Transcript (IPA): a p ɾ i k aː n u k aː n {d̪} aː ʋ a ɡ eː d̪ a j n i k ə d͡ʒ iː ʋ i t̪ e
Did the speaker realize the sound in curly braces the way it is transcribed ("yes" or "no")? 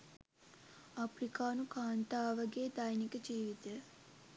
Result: no